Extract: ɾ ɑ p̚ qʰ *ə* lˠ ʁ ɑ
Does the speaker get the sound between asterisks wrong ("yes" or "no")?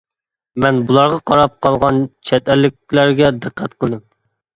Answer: yes